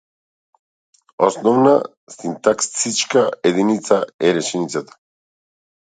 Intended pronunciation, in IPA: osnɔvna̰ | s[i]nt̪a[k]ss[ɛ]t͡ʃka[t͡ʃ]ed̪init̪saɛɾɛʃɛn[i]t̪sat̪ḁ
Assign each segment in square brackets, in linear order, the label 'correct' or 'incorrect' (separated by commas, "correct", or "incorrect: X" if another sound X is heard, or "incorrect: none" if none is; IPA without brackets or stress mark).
correct, correct, incorrect: i, incorrect: none, correct